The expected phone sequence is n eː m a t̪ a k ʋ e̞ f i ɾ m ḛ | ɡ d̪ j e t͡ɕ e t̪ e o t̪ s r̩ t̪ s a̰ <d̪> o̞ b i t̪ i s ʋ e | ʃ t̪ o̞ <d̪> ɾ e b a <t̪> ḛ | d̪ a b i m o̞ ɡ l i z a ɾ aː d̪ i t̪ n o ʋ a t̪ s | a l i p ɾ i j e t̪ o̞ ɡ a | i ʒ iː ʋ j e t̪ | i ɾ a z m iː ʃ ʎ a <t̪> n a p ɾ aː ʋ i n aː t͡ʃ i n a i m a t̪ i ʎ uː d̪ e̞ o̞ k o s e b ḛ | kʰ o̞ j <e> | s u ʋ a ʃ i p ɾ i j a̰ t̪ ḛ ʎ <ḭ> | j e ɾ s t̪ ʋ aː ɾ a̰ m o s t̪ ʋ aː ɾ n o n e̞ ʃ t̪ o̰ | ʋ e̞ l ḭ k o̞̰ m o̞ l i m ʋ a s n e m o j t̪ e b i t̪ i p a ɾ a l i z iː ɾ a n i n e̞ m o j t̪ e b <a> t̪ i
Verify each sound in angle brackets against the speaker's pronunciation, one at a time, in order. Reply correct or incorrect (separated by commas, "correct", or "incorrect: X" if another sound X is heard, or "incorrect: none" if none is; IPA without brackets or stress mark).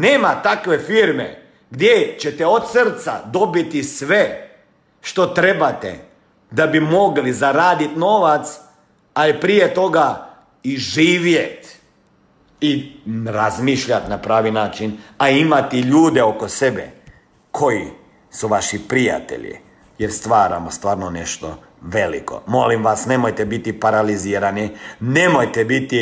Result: correct, incorrect: t̪, correct, correct, incorrect: i, correct, incorrect: i